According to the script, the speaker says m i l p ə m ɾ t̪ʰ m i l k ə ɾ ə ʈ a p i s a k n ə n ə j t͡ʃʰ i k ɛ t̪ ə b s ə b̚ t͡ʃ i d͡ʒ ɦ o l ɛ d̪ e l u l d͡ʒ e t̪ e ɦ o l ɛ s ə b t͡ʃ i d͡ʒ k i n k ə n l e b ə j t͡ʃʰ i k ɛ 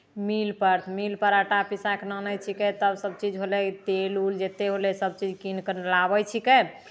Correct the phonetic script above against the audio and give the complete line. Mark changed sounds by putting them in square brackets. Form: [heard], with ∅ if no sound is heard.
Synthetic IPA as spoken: m i l p ə [∅] ɾ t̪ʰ m i l [p] ə ɾ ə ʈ a p i s a k n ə n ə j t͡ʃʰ i k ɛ t̪ ə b s ə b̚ t͡ʃ i d͡ʒ ɦ o l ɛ [t̪] e l u l d͡ʒ e t̪ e ɦ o l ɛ s ə b t͡ʃ i d͡ʒ k i n k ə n l [a] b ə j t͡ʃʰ i k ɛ